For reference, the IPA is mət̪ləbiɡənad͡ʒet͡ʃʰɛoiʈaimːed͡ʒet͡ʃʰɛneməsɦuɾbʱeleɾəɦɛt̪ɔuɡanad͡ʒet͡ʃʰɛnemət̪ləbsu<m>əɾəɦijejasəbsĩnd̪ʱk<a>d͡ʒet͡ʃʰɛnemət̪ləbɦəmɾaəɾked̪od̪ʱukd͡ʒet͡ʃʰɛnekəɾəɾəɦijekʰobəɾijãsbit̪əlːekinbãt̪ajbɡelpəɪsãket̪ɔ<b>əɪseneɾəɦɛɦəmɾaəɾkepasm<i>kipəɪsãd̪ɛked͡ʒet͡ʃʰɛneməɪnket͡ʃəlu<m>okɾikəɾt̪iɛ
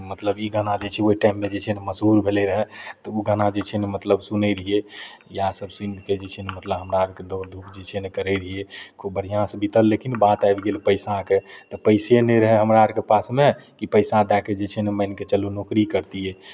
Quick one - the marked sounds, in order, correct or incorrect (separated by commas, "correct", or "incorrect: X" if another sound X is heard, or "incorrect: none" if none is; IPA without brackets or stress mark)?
incorrect: n, incorrect: e, incorrect: p, incorrect: e, incorrect: n